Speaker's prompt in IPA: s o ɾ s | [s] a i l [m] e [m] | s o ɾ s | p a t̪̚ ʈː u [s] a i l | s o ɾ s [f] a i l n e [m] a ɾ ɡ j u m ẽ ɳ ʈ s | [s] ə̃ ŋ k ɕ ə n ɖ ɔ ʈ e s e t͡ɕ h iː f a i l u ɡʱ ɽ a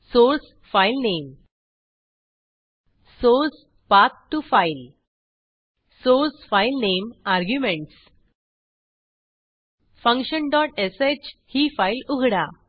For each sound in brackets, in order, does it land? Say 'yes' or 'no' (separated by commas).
no, no, yes, no, yes, yes, no